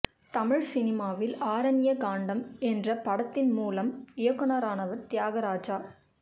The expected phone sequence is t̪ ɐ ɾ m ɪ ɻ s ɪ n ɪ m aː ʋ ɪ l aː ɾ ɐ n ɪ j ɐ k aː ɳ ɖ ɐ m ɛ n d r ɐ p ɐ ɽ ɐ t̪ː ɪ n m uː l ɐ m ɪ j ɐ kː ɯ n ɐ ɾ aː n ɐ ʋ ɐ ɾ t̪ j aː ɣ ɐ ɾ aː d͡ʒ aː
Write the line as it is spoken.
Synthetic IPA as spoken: t̪ ɐ m ɪ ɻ s ɪ n ɪ m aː ʋ ɪ l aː ɾ ɐ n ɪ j ɐ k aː ɳ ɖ ɐ m ɛ n d r ɐ p ɐ ɽ ɐ t̪ː ɪ n m uː l ɐ m ɪ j ɐ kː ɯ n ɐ ɾ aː n ɐ ʋ ɐ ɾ t̪ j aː ɣ ɐ ɾ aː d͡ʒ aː